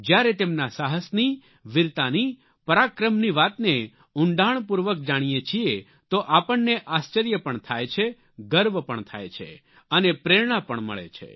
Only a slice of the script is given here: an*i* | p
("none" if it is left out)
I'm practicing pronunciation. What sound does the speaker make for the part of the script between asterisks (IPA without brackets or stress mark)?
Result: i